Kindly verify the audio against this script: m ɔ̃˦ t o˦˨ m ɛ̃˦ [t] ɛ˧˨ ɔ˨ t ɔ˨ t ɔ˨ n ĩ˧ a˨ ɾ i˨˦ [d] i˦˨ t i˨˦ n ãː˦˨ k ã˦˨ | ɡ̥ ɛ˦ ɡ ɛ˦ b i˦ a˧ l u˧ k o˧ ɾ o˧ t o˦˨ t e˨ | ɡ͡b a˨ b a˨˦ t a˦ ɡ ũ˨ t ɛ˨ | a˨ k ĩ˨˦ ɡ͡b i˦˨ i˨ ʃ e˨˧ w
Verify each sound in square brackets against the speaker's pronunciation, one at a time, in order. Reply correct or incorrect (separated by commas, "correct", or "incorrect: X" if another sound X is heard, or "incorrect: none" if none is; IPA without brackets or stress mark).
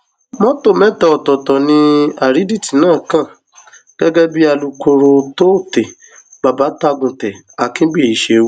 correct, correct